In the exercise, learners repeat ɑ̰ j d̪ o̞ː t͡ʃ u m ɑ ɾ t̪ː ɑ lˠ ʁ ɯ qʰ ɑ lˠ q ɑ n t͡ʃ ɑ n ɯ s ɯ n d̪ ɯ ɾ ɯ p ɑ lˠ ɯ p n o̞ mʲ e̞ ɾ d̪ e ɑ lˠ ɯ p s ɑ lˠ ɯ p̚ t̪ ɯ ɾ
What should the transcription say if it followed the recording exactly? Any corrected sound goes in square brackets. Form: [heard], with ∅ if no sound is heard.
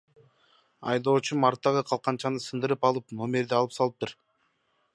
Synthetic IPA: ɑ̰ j d̪ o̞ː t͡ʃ u m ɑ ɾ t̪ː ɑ [∅] ʁ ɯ qʰ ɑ lˠ q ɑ n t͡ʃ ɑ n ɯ s ɯ n d̪ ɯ ɾ ɯ p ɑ lˠ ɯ p n o̞ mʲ e̞ ɾ d̪ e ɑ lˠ ɯ p s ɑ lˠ ɯ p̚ t̪ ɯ ɾ